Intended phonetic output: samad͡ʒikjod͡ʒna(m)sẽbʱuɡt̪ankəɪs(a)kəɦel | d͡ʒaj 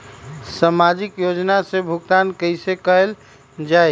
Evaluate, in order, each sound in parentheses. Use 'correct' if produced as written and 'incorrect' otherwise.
incorrect, incorrect

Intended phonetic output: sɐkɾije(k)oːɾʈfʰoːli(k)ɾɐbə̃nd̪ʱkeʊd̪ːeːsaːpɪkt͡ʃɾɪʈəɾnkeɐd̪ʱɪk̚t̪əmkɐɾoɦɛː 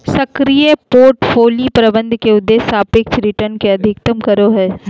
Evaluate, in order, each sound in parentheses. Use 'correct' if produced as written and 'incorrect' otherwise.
incorrect, incorrect

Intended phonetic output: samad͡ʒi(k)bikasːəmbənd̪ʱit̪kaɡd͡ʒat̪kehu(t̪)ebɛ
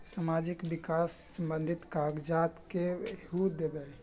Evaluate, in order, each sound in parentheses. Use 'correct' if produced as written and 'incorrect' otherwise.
correct, incorrect

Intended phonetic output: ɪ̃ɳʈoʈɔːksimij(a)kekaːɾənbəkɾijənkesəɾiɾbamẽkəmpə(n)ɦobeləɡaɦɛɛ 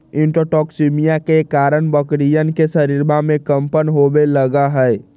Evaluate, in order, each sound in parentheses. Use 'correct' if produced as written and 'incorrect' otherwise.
correct, correct

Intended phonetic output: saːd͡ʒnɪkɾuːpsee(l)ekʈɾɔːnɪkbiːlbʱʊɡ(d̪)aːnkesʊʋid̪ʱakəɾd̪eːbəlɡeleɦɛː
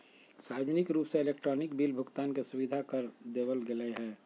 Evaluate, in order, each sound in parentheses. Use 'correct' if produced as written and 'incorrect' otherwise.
correct, incorrect

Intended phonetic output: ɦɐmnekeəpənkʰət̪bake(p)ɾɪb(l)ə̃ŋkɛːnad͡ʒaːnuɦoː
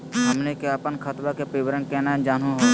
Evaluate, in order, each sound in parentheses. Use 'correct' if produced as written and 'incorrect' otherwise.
correct, incorrect

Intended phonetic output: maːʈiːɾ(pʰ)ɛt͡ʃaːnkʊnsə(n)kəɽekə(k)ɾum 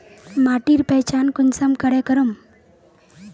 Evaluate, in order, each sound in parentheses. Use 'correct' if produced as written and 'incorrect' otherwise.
incorrect, incorrect, incorrect

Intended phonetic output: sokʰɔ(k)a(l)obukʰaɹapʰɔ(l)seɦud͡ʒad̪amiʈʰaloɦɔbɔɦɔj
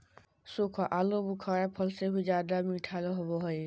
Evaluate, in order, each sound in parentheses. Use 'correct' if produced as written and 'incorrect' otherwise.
incorrect, correct, correct

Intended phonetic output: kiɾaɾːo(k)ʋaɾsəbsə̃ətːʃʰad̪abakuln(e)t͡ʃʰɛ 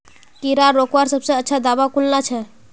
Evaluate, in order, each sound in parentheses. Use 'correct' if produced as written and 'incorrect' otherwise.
correct, incorrect

